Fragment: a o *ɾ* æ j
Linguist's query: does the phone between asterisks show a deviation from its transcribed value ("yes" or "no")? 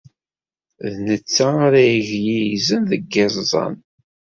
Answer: no